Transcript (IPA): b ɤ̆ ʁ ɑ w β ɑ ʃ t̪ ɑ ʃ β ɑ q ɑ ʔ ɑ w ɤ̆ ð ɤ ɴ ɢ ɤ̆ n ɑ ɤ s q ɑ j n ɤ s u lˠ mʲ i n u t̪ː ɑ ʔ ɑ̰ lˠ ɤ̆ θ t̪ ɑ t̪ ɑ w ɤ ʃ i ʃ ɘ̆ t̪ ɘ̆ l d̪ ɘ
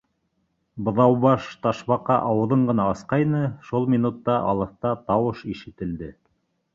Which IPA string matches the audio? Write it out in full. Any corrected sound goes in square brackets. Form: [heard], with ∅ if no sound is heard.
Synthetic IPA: b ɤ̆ [ð] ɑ w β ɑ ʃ t̪ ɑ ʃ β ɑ q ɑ ʔ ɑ w ɤ̆ ð ɤ ɴ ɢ ɤ̆ n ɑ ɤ s q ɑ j n ɤ [ʃ] u lˠ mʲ i n u t̪ː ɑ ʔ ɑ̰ lˠ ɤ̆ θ t̪ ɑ t̪ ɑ w ɤ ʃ i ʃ ɘ̆ t̪ ɘ̆ l d̪ ɘ